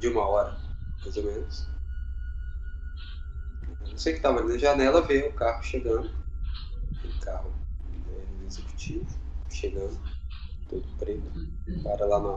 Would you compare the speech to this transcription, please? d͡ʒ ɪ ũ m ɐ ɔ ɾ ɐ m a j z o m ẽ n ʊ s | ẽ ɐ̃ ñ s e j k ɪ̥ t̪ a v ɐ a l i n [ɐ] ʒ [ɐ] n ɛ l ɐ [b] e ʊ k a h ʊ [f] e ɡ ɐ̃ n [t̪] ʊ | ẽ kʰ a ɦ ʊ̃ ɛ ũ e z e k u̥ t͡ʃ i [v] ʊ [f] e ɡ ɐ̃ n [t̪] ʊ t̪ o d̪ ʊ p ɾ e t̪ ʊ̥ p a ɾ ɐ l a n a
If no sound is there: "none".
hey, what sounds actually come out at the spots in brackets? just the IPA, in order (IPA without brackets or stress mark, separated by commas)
ɐ, a, v, ʃ, d̪, v, ʃ, d̪